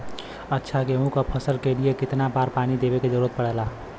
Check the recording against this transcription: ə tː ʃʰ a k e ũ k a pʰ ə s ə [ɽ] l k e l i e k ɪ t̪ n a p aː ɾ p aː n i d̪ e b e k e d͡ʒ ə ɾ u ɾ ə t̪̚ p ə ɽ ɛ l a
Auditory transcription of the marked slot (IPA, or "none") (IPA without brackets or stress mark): none